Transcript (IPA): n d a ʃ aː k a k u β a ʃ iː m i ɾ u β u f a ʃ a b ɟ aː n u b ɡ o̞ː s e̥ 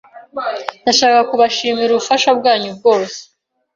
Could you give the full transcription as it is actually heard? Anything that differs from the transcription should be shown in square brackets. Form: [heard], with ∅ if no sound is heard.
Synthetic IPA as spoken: n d a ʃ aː k a k u β a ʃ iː m i ɾ u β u f a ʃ a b [ɡ] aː [ɲ] u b ɡ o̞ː s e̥